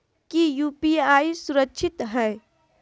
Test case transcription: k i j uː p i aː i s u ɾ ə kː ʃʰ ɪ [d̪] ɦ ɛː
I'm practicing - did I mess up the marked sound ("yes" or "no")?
yes